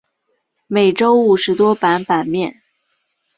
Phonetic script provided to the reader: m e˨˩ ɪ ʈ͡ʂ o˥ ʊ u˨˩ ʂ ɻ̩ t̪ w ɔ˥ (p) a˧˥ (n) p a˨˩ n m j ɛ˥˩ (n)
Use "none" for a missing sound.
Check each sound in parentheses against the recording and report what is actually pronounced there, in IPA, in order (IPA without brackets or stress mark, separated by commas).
p, n, n